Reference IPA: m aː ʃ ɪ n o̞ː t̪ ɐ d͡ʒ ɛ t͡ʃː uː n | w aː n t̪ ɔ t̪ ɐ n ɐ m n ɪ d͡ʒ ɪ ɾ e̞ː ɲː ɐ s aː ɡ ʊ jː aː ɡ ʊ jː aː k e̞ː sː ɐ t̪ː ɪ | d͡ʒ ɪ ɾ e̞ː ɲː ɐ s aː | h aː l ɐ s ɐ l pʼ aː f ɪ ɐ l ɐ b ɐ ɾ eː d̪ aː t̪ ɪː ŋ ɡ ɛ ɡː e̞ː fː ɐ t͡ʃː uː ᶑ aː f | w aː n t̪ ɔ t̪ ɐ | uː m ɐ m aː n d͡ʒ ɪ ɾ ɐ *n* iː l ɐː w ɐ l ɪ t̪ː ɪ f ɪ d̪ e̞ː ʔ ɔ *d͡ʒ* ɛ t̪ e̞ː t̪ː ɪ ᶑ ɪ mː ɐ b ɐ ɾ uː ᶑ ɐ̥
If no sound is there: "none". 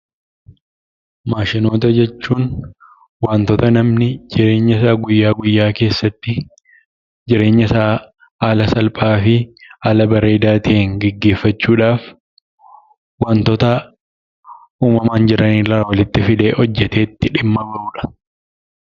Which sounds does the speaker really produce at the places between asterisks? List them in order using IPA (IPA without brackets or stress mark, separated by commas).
n, d͡ʒː